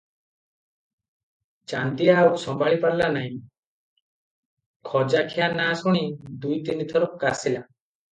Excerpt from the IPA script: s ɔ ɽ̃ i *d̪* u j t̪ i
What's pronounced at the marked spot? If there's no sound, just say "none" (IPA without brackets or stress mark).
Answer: d̪